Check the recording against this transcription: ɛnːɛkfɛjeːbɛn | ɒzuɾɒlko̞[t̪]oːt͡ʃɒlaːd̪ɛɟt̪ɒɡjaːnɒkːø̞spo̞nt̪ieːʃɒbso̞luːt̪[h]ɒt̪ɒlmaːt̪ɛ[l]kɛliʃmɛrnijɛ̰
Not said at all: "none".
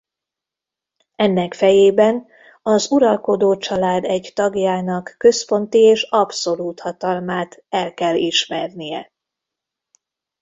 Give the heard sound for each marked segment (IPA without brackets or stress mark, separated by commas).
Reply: d̪, h, l